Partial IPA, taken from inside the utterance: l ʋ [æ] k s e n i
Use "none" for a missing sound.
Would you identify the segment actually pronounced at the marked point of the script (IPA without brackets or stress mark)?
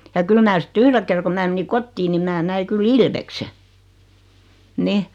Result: e